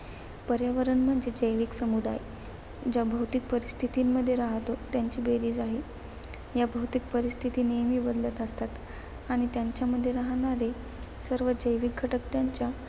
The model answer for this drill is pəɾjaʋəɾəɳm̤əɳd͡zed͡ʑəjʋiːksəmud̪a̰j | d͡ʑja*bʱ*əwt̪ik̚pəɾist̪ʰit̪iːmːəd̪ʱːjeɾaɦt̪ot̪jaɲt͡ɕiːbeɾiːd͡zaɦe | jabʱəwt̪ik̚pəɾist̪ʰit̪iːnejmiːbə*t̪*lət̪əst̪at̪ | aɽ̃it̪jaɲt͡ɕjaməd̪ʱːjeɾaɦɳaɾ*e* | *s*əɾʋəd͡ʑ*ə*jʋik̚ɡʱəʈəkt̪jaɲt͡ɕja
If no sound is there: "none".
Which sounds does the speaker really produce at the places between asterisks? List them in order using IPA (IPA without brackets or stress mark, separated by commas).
bʱ, d̪, e, s, ə